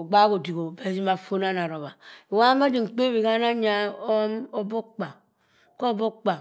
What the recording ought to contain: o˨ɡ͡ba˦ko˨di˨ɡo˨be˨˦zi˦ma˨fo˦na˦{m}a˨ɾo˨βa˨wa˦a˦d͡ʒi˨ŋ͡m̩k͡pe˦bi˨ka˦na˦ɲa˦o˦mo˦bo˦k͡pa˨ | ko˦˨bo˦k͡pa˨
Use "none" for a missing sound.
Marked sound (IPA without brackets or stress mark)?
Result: n